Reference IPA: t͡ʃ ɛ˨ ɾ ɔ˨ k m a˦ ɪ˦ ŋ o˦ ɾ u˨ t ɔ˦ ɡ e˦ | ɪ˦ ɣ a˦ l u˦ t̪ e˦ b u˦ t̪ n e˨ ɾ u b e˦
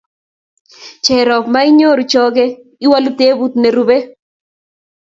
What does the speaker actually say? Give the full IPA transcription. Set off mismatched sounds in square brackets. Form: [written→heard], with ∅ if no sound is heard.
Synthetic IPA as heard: t͡ʃ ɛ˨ ɾ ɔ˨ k m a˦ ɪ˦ [ŋ→ɲ] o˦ ɾ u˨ [t→t͡ʃ] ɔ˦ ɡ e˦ | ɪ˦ [ɣ→w] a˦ l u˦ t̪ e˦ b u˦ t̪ n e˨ ɾ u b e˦

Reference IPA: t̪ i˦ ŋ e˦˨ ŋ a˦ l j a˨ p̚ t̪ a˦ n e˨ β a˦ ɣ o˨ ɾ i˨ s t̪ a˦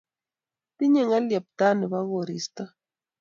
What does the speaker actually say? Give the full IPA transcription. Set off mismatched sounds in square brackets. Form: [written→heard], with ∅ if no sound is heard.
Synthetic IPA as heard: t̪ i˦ [ŋ→ɲ] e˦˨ ŋ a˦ l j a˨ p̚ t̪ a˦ n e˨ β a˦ ɣ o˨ ɾ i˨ s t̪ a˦

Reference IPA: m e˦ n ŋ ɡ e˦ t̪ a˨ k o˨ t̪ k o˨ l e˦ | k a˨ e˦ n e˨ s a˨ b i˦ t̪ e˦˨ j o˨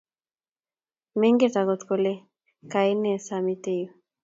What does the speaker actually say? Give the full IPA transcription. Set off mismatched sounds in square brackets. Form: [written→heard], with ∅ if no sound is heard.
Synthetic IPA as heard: m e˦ [n→∅] ŋ ɡ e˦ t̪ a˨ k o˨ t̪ k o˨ l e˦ | k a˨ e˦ n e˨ s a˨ [b→m] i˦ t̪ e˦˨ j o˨

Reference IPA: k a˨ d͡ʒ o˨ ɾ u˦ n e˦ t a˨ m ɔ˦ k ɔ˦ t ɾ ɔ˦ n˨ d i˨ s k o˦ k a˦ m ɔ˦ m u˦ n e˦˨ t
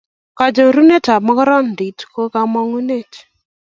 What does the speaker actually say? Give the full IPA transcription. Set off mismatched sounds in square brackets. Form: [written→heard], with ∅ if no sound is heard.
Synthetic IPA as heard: k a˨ d͡ʒ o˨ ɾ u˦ n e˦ t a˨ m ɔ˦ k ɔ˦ [t→∅] ɾ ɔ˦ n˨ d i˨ [s→t] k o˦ k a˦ m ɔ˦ [m→ŋ] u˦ n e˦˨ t

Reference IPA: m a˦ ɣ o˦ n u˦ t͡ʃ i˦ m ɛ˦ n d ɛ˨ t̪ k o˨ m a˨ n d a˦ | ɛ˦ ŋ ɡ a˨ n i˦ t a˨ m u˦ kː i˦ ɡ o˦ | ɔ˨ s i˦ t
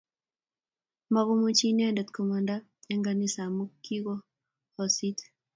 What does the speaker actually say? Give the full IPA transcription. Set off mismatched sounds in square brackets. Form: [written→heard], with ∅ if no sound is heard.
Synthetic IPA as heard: m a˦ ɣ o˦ [n→m] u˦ t͡ʃ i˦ [m→n] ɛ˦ n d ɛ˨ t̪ k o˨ m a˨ n d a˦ | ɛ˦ ŋ ɡ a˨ n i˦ [t→s] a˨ m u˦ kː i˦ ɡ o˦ | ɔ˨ s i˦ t

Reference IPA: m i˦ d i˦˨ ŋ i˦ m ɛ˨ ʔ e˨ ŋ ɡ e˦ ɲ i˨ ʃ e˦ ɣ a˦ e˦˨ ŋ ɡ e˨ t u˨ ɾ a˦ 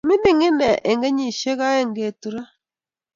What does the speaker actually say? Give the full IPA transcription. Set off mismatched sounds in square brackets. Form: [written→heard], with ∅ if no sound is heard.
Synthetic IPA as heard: m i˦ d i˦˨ ŋ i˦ [m→n] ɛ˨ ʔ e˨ ŋ ɡ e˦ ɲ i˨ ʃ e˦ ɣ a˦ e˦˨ ŋ ɡ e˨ t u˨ ɾ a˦

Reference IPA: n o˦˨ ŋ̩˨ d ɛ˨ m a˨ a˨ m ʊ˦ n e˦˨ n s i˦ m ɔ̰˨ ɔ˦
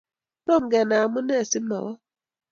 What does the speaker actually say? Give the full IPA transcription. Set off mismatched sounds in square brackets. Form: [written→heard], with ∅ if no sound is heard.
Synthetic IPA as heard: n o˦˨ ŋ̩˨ [d→ɡ] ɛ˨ [m→n] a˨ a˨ m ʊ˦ n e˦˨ [n→∅] s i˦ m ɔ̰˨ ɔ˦

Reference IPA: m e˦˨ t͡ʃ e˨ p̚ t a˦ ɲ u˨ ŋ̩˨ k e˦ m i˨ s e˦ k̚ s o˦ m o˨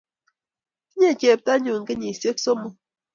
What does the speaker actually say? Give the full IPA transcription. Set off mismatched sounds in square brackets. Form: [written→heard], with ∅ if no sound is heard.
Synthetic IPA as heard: [m→ɲ] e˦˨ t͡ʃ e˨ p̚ t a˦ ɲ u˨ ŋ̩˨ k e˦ [m→ɲ] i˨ s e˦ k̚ s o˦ m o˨

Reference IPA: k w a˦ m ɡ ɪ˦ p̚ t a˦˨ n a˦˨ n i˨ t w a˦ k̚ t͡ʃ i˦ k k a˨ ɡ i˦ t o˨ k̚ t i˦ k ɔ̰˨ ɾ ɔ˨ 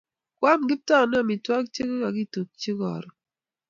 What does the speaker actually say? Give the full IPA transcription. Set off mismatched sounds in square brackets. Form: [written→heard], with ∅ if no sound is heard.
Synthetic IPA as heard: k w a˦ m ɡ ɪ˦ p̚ t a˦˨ n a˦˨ [n→m] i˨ t w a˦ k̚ t͡ʃ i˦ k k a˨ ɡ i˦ t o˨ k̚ [t→t͡ʃ] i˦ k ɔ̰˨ ɾ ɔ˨

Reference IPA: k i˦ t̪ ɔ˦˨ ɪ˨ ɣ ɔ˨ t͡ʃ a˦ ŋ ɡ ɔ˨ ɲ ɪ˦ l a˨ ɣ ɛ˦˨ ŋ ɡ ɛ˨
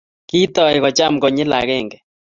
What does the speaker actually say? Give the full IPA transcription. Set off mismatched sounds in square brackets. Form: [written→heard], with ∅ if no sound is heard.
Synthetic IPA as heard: k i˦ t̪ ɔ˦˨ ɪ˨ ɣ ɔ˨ t͡ʃ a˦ [ŋ→m] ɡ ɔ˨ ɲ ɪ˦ l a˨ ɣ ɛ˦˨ ŋ ɡ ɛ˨

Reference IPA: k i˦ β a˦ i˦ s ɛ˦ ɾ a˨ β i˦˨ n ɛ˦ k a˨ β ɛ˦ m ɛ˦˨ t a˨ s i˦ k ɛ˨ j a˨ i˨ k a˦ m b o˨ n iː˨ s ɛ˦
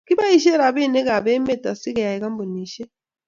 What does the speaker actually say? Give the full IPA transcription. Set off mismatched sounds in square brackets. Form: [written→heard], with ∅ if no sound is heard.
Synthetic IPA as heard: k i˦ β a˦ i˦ [s→ʃ] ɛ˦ ɾ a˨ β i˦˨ n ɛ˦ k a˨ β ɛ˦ m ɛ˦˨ t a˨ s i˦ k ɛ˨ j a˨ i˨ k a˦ m b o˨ n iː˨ [s→ʃ] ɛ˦

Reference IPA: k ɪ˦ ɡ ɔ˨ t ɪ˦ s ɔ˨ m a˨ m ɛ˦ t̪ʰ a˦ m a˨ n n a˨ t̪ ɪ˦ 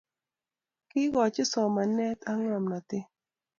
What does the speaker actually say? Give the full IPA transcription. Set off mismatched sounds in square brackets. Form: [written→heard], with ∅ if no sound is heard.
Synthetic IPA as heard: k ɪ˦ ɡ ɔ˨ [t→t͡ʃ] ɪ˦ s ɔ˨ m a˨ [m→n] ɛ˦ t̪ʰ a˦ [m→ŋ] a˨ [n→m] n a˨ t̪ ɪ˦

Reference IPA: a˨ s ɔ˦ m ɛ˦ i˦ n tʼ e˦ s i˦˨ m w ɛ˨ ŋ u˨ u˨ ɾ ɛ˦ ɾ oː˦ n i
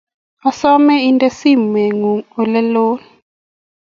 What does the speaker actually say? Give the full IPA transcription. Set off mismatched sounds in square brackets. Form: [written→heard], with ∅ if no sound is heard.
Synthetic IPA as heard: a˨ s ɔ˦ m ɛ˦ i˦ n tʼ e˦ s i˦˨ m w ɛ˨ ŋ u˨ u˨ [ɾ→l] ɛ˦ [ɾ→l] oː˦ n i

